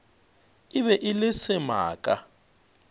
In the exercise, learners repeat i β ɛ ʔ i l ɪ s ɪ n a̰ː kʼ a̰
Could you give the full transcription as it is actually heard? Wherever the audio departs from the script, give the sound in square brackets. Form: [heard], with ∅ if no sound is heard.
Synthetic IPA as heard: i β ɛ ʔ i l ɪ s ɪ [m] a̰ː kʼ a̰